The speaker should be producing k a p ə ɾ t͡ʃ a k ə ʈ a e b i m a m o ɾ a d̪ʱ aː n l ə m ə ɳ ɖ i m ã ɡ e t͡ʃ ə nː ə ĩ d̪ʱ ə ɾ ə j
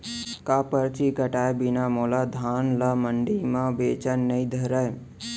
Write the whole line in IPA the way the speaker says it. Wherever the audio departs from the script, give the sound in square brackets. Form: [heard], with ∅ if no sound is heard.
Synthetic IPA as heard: k a p ə ɾ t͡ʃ [i] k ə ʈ a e b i [n] a m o [l] a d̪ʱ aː n l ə m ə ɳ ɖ i m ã [b] e t͡ʃ ə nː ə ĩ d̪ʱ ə ɾ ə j